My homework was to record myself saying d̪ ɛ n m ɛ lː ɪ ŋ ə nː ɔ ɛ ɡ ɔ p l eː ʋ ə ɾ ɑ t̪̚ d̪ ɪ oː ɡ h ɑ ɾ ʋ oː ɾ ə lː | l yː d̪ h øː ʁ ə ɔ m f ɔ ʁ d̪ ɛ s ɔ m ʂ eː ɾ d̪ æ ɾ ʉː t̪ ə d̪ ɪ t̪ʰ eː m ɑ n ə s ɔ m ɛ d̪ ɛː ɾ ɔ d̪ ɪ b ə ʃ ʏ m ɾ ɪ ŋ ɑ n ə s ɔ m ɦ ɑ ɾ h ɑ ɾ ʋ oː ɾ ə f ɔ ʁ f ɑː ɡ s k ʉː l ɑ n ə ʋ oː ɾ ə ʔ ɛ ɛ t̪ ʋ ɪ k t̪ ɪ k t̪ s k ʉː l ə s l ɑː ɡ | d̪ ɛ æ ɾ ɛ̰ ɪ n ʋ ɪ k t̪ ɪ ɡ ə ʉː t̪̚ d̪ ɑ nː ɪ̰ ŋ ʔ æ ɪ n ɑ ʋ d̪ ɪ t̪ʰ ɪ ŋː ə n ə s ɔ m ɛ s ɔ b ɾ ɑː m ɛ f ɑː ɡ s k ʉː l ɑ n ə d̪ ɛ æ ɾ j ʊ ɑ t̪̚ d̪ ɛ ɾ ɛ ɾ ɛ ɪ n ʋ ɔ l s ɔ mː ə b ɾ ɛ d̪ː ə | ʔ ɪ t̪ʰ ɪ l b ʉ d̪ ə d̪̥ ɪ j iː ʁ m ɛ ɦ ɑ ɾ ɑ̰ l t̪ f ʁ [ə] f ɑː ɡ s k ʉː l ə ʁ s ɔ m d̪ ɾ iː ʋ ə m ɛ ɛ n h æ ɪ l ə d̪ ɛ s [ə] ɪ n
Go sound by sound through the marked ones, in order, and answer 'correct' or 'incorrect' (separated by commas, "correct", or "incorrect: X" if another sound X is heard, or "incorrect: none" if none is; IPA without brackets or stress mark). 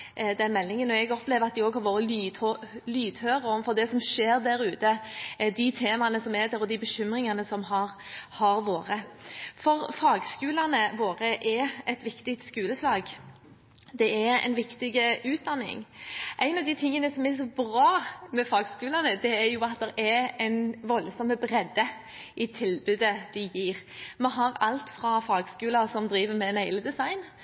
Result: incorrect: ɑ, incorrect: ɑ